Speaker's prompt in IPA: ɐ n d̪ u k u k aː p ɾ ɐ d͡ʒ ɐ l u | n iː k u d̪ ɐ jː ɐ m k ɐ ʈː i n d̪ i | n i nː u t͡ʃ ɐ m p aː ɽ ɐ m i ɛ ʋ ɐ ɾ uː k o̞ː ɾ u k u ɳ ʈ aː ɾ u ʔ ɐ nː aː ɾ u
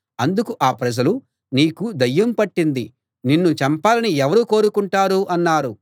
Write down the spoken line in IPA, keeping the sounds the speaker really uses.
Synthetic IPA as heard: ɐ n d̪ u k u ʔ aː p ɾ ɐ d͡ʒ ɐ l u | n iː k u d̪ ɐ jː ɐ m p ɐ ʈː i n d̪ i | n i nː u t͡ʃ ɐ m p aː l ɐ n i ɛ ʋ ɐ ɾ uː k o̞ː ɾ u k u ɳ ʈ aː ɾ u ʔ ɐ nː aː ɾ u